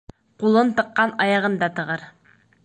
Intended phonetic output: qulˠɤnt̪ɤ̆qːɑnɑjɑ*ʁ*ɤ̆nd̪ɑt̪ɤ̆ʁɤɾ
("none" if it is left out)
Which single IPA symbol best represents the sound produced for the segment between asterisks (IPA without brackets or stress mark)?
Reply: ʁ